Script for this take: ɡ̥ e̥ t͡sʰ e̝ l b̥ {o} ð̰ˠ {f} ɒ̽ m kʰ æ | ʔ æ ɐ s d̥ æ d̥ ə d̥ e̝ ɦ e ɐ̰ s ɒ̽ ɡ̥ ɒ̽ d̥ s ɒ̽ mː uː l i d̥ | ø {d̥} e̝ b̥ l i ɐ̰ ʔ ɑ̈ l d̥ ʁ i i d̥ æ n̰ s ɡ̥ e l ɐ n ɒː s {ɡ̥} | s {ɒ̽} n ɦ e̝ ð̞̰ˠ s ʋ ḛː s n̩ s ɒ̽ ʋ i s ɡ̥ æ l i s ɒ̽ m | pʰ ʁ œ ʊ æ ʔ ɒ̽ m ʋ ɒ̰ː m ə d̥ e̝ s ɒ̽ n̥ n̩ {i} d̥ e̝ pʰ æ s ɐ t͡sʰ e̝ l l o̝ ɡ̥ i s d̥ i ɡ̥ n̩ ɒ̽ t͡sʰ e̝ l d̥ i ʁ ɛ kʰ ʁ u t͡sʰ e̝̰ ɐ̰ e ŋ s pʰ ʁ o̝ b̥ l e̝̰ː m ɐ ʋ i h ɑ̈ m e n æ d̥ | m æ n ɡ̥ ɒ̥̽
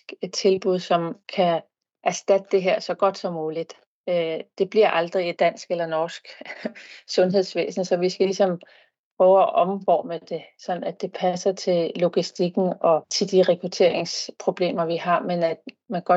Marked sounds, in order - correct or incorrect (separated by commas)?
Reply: incorrect, incorrect, correct, correct, incorrect, incorrect